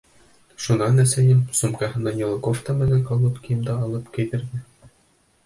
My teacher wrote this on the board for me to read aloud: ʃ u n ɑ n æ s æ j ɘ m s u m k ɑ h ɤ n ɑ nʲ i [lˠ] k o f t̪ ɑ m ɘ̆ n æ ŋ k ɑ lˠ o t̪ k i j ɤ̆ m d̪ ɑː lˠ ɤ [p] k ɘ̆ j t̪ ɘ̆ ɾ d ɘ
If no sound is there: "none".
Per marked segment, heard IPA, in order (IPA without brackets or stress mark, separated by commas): lˠ, p